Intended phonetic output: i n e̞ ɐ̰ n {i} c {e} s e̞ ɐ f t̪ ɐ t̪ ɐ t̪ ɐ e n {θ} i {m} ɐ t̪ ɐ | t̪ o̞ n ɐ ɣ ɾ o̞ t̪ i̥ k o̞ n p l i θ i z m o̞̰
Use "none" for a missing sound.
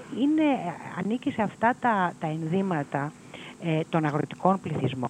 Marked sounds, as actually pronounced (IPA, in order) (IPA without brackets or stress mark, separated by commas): i, i, ð, m